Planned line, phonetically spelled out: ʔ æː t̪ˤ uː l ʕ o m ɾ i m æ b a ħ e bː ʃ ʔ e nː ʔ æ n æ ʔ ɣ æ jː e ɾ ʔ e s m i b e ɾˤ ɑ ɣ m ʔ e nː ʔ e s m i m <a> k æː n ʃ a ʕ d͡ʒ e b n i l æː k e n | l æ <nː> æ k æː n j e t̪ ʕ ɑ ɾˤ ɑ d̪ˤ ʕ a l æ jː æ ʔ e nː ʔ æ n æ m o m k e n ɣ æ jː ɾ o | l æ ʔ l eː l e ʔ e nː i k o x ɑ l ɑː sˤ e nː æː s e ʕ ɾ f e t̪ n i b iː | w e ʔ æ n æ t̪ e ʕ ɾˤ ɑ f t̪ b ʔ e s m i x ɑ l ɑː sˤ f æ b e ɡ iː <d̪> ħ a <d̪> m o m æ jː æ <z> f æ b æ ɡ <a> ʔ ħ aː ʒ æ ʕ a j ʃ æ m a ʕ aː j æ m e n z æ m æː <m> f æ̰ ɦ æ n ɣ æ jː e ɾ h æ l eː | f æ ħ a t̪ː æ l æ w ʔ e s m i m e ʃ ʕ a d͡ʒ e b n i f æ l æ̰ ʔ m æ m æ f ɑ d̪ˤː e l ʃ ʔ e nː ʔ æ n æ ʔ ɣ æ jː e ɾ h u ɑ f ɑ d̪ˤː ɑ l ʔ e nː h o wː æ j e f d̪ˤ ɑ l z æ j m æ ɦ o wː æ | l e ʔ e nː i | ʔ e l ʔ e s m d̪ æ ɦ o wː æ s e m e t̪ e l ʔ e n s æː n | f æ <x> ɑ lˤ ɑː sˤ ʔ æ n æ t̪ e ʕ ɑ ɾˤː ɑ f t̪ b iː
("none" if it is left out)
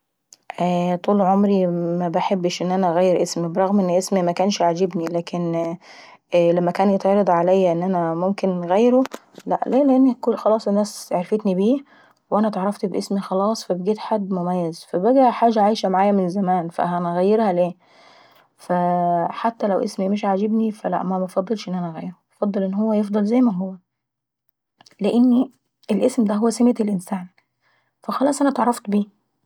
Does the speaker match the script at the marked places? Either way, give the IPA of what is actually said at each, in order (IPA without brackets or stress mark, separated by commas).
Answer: æ, mː, t̪, d̪ː, z, æ, n, x